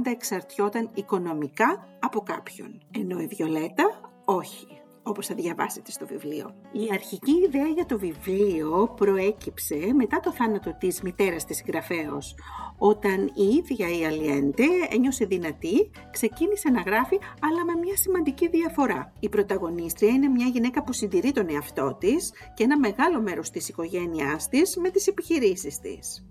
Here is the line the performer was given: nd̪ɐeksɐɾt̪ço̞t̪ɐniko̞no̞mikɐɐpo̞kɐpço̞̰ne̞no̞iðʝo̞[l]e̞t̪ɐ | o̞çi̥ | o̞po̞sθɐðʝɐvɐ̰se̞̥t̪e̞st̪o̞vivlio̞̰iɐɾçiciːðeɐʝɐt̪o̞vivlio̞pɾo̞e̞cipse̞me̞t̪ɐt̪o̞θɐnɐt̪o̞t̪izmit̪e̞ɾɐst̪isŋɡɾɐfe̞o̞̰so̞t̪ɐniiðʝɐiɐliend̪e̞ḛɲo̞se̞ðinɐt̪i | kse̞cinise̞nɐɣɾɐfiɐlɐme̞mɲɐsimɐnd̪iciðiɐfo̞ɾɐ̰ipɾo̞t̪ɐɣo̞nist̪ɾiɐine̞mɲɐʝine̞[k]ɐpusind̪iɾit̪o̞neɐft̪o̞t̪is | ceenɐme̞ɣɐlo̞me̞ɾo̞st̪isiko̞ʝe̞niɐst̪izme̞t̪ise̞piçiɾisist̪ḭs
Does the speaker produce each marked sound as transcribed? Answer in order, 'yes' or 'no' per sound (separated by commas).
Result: yes, yes